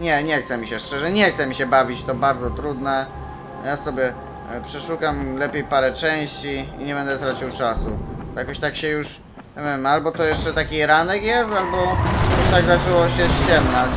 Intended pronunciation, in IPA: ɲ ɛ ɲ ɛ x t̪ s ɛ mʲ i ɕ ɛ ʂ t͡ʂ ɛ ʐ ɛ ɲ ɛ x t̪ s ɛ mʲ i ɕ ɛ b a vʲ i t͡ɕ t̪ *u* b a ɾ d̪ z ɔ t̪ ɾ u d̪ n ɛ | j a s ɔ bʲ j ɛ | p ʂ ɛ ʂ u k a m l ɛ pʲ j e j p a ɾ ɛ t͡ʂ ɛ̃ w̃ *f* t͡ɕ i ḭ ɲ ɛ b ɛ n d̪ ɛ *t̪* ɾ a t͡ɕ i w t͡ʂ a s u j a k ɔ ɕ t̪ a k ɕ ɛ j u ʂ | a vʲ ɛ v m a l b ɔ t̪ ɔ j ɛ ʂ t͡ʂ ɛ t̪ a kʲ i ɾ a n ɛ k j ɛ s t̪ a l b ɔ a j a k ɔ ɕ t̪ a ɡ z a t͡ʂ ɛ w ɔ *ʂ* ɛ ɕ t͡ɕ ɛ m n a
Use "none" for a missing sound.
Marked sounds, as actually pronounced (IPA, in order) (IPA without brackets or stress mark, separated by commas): ɔ, ɕ, t̪, ɕ